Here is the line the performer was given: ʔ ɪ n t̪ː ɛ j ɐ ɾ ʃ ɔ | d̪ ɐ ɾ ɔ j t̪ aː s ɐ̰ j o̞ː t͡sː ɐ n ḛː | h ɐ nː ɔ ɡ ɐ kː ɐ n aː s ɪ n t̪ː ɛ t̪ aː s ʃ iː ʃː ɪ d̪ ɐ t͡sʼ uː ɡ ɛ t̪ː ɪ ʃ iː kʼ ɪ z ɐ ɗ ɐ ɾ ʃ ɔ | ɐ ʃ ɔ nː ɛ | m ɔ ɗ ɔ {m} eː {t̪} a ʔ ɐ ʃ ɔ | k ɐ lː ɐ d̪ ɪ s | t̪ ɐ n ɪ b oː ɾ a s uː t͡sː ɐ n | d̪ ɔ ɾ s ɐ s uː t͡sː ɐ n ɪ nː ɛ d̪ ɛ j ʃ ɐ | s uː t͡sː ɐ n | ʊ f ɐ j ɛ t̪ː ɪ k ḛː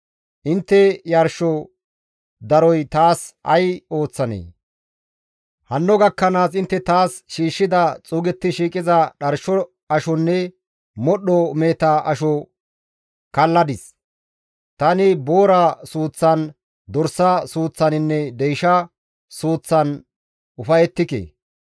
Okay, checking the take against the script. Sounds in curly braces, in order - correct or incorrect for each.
correct, correct

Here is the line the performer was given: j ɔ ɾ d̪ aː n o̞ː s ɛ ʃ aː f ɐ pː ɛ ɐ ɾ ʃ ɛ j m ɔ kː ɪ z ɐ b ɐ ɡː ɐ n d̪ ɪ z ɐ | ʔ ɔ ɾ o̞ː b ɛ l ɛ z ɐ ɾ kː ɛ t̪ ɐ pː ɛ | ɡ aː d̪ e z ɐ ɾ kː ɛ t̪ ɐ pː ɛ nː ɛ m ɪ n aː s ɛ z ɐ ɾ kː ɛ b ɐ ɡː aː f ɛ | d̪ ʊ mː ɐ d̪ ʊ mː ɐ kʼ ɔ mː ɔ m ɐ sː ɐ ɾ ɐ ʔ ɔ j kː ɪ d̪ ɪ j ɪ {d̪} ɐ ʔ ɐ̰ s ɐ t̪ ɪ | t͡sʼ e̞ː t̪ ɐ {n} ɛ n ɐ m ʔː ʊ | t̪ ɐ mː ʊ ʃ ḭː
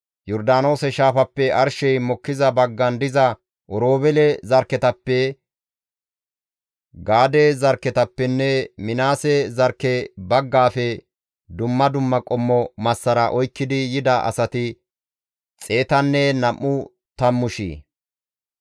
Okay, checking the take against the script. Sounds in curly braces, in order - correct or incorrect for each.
correct, incorrect

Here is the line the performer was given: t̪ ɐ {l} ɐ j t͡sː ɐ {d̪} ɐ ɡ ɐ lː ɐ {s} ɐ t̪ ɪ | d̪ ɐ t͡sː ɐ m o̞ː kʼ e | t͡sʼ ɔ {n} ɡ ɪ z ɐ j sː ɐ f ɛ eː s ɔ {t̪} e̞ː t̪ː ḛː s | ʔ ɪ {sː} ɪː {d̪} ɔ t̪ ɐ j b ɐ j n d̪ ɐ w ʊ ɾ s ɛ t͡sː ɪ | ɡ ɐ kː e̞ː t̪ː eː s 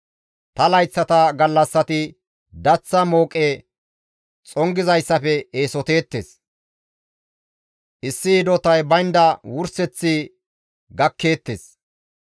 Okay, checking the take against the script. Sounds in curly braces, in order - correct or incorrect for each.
correct, incorrect, incorrect, incorrect, correct, correct, correct

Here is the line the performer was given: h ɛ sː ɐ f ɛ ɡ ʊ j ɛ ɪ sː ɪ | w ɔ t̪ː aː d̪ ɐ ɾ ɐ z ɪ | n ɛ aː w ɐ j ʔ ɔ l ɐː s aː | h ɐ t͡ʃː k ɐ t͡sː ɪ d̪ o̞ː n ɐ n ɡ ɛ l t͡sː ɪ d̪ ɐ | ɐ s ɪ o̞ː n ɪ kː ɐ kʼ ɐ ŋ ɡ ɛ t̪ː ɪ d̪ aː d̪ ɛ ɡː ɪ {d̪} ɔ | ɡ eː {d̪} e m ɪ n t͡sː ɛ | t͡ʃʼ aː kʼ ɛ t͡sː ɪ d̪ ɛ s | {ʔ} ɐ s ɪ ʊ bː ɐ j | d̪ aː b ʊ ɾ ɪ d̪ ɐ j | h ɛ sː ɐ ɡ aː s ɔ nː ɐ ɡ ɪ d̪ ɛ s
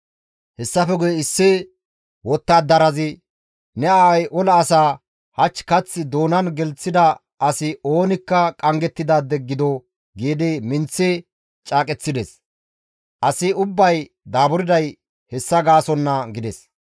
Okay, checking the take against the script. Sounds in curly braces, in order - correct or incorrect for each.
correct, correct, correct

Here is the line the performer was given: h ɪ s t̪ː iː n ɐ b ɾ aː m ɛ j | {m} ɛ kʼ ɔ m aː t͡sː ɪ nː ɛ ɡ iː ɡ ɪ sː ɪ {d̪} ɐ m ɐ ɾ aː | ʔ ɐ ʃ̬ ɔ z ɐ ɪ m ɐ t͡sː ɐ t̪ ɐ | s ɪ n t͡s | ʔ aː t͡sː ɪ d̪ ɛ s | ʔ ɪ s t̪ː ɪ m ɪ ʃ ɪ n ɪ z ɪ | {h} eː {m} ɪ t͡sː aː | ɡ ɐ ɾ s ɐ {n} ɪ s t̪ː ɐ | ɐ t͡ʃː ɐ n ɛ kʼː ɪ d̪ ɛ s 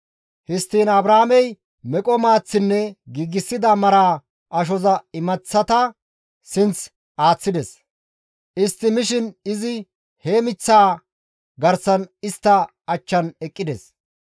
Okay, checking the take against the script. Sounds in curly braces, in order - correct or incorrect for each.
correct, correct, correct, correct, correct

